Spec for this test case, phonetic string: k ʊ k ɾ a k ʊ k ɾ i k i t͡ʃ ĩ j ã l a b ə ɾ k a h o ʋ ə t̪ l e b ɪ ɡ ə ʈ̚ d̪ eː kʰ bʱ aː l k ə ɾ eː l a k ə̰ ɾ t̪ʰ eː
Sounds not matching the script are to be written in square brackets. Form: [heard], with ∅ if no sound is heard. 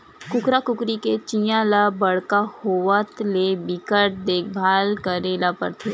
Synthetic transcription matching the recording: k ʊ k ɾ a k ʊ k ɾ i k [e] t͡ʃ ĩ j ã l a b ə [ɽ] k a h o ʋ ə t̪ l e b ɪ [k] ə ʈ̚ d̪ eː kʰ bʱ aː l k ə ɾ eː l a [p] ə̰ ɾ t̪ʰ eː